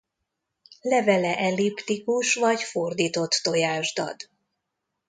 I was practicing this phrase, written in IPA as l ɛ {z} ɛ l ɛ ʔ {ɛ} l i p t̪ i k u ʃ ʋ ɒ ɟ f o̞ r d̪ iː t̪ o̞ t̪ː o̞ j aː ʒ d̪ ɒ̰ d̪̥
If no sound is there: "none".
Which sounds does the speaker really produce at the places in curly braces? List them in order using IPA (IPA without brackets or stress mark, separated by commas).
v, ɛ